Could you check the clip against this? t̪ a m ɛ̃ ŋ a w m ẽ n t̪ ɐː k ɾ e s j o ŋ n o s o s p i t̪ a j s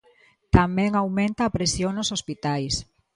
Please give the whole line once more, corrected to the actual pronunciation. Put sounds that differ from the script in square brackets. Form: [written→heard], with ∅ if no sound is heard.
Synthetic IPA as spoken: t̪ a m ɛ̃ ŋ a w m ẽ n t̪ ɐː [k→p] ɾ e s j o ŋ n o s o s p i t̪ a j s